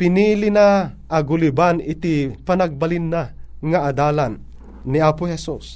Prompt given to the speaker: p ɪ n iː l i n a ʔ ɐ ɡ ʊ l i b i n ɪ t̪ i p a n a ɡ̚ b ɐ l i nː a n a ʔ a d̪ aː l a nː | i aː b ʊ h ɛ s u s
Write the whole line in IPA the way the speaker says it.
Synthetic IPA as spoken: p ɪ n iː l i n a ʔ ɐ ɡ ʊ l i b a n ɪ t̪ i p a n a ɡ̚ b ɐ l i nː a ŋ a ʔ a d̪ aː l a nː | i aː p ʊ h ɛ s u s